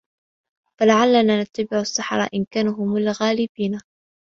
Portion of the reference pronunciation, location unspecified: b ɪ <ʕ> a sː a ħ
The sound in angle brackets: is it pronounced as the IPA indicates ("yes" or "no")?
yes